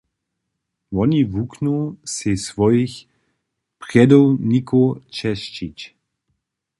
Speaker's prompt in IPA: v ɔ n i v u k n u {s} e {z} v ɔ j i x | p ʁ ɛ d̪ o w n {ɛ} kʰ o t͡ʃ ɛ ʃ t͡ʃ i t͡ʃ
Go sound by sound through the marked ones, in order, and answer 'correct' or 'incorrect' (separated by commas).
correct, incorrect, incorrect